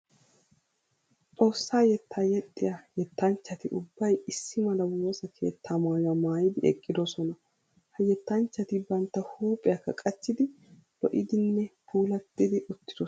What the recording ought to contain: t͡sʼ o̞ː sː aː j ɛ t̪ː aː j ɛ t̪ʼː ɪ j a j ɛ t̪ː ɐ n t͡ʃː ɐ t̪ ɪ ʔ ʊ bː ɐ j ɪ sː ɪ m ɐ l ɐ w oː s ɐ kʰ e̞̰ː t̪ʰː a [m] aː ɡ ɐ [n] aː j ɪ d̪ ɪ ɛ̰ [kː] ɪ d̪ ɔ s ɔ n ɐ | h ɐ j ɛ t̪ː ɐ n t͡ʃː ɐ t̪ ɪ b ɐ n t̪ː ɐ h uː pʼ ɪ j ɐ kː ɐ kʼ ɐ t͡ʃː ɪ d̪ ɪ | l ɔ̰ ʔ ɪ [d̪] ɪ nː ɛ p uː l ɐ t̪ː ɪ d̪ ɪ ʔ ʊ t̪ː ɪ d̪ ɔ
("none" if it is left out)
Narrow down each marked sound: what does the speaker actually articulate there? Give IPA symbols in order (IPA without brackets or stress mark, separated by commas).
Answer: m, m, kʼː, d̪